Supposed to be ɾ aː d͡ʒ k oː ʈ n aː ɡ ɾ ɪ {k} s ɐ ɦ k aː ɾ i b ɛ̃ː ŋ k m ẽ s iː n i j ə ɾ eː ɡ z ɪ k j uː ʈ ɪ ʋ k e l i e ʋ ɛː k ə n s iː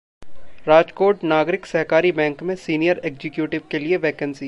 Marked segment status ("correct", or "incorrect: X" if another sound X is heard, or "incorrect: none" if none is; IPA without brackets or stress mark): correct